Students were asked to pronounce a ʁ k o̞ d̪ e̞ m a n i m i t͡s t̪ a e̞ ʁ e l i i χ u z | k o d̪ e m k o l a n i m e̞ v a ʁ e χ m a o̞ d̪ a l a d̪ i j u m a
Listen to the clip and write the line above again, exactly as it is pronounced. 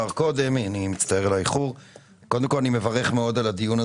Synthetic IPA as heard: a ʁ k o̞ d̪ e̞ m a n i m i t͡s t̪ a e̞ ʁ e l a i χ u ʁ | k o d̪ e m k o l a n i m e̞ v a ʁ e χ m e o̞ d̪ a l a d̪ i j u n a